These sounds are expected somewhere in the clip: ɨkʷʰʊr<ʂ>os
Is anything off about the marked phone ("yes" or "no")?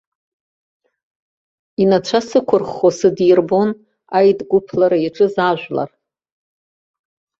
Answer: yes